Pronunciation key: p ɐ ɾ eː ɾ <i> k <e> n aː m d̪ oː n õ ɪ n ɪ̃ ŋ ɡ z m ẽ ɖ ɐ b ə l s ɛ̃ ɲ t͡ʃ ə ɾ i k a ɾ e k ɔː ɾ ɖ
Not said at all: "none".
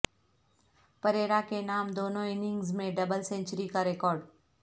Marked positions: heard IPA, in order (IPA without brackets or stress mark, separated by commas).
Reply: a, e